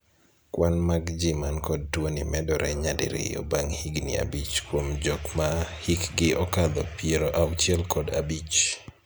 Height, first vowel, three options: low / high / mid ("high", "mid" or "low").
low